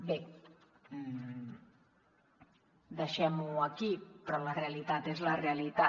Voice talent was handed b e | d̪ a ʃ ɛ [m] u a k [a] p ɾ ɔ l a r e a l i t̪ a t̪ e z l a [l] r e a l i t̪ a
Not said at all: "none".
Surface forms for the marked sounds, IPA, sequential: m, i, none

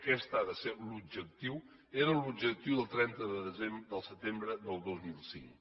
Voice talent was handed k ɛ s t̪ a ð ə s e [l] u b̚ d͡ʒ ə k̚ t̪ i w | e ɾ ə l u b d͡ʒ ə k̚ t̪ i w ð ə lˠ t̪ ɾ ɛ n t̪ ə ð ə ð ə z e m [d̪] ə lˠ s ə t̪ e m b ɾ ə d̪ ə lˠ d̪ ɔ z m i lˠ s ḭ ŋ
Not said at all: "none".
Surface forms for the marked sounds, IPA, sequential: l, d̪

